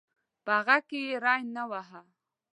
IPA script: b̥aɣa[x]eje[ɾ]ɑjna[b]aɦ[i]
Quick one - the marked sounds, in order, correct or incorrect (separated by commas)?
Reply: incorrect, correct, incorrect, incorrect